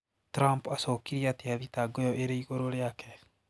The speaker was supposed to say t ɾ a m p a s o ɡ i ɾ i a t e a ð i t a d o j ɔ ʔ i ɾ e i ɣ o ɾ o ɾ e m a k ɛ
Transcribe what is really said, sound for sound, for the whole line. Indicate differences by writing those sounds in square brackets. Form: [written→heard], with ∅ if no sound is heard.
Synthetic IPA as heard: t ɾ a m p a s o [ɡ→k] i ɾ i a t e a ð i t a [d→ɡ] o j ɔ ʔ [i→e] ɾ e i ɣ o ɾ o ɾ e [m→∅] a k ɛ